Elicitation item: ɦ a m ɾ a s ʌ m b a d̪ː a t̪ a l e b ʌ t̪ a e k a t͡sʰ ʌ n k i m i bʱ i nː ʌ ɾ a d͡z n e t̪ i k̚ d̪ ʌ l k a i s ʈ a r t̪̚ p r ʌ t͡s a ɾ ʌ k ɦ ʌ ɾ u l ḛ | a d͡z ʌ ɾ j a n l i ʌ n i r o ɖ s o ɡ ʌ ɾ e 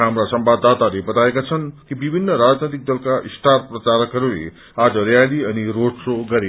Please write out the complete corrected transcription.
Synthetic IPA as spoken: ɦ a m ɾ a s ʌ m b a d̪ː a t̪ a l e b ʌ t̪ a e k a t͡sʰ ʌ n k i b i bʱ i nː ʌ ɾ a d͡z n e t̪ i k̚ d̪ ʌ l k a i s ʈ a r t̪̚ p r ʌ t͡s a ɾ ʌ k ɦ ʌ ɾ u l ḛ | a d͡z ʌ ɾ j a l i ʌ n i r o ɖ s o ɡ ʌ ɾ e